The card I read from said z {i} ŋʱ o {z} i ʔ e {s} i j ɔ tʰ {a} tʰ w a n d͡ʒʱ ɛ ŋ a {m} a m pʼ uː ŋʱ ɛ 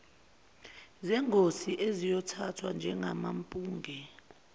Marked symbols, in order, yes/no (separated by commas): no, no, no, yes, yes